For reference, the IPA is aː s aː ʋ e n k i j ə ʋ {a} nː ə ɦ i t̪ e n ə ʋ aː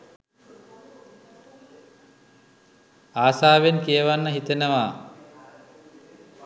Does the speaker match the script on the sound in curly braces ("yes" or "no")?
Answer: yes